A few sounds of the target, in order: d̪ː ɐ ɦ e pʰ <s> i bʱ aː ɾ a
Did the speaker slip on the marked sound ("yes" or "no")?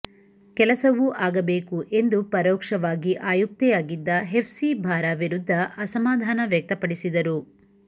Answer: no